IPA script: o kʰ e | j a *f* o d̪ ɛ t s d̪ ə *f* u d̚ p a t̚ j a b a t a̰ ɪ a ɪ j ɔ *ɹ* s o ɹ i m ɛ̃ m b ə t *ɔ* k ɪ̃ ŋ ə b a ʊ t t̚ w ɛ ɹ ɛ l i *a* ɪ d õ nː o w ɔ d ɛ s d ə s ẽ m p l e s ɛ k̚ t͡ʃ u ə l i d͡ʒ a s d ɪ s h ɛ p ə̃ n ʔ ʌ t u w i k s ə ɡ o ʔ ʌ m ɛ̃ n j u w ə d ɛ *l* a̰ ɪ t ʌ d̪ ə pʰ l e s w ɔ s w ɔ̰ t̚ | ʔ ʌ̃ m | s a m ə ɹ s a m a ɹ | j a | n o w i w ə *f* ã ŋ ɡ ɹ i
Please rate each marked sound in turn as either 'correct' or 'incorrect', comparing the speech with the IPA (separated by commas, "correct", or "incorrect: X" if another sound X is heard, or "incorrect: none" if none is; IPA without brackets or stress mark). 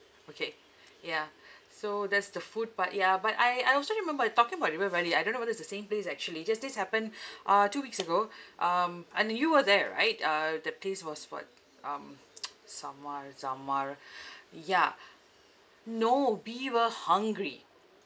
incorrect: s, correct, incorrect: l, correct, correct, incorrect: ɹ, incorrect: h